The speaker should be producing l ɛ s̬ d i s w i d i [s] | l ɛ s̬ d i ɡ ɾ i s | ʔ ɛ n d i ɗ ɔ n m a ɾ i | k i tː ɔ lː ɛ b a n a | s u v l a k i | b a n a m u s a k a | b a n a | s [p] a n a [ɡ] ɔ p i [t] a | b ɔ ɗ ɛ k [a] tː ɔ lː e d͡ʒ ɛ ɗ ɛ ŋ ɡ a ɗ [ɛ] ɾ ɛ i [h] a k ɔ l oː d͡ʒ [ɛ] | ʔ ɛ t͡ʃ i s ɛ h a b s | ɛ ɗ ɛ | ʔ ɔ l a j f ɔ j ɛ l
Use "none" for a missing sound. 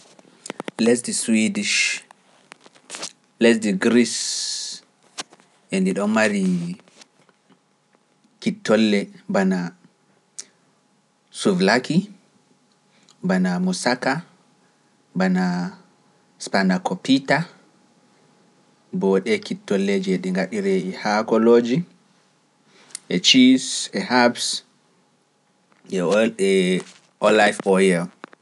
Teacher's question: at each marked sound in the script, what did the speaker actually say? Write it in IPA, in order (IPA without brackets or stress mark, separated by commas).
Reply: ʃ, p, k, t, i, i, h, i